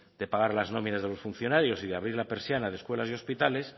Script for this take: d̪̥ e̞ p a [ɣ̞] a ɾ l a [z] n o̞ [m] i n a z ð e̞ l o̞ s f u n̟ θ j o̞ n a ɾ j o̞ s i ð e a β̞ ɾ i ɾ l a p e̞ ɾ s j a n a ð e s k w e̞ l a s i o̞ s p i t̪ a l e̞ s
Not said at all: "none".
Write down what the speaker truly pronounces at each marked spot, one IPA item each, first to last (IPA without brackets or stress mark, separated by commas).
ɣ̞, z, m